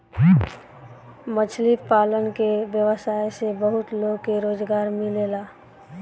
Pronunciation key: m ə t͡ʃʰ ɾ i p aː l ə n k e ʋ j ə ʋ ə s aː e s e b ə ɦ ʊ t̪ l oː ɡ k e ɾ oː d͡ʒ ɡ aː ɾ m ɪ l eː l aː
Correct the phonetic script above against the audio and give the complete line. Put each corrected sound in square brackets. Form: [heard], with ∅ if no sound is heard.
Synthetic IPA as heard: m ə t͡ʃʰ [l] i p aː l ə n k e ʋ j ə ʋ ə s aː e s e b ə ɦ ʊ t̪ l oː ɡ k e ɾ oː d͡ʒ ɡ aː ɾ m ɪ l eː l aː